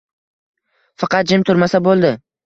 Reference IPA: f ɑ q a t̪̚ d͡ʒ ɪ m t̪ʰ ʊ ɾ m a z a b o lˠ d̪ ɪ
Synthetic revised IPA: f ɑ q ɑ t̪̚ d͡ʒ ɪ m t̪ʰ ʊ ɾ m a s a b o lˠ d̪ ɪ